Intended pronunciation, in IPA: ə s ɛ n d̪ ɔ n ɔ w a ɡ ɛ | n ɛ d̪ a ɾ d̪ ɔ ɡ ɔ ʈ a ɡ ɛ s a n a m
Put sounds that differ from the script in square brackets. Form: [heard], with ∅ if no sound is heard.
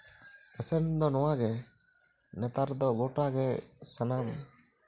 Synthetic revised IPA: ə s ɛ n d̪ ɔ n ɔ w a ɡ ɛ | n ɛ [t̪] a ɾ d̪ ɔ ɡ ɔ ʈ a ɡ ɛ s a n a m